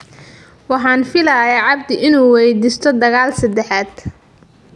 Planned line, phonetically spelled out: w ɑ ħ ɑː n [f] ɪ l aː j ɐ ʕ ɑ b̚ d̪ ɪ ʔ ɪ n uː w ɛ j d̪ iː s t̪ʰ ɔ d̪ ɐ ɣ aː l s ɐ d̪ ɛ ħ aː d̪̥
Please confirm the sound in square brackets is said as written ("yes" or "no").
yes